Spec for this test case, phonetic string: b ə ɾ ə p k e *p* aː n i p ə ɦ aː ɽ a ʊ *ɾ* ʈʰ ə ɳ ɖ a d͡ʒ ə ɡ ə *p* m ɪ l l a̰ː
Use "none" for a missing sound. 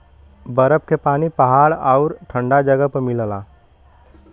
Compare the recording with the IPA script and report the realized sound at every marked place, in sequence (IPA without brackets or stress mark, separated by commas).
p, ɾ, p